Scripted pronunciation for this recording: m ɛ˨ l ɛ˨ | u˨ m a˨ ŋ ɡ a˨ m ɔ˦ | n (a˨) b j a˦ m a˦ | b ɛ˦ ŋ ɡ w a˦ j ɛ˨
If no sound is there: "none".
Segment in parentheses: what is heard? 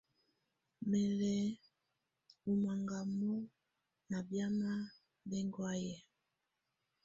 a˨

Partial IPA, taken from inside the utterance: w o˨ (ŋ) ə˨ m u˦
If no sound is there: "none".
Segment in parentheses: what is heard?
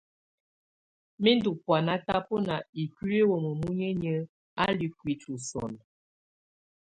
m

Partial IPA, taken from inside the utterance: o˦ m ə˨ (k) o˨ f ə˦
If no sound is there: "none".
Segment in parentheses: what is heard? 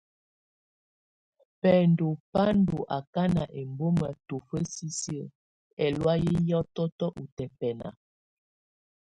t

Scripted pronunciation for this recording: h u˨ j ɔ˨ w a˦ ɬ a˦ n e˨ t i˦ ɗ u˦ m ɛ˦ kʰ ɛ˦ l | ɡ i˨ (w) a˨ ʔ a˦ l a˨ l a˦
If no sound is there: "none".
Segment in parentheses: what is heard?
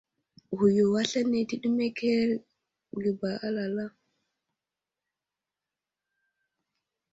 b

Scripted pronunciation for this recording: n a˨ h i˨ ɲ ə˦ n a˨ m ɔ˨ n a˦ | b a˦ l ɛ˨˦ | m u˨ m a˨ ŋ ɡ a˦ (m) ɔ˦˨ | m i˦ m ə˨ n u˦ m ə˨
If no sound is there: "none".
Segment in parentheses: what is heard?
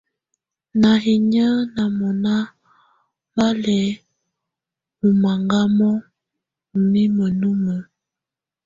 m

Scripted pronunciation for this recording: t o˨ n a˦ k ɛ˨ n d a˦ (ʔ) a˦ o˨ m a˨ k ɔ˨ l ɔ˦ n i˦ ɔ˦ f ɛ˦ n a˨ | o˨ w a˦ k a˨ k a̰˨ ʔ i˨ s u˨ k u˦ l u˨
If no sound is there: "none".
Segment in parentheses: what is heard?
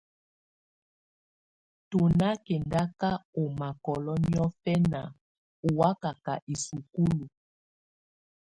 k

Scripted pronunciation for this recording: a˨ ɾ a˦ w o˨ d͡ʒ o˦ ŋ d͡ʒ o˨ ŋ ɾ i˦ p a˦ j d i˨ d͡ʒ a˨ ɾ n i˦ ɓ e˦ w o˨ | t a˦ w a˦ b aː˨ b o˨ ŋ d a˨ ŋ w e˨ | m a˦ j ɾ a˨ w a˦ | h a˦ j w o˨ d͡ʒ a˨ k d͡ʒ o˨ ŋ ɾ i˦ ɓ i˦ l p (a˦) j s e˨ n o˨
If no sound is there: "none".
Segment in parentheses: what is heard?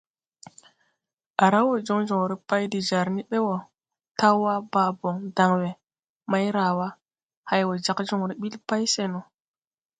a˦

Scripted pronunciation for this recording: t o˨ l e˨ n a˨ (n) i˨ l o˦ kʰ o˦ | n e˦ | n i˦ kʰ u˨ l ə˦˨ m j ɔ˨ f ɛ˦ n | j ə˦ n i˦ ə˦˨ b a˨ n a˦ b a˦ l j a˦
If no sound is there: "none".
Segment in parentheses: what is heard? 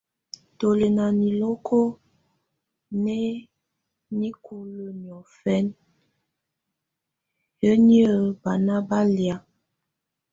n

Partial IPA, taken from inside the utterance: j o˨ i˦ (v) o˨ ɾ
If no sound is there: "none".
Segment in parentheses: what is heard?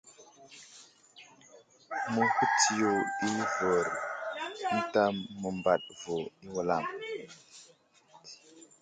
v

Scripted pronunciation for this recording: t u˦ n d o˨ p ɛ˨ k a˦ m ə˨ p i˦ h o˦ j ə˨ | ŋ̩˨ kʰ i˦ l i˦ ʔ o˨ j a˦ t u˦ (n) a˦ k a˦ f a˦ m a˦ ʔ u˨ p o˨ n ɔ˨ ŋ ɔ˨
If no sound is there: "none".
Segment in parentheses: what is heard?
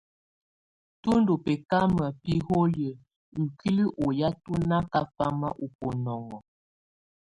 n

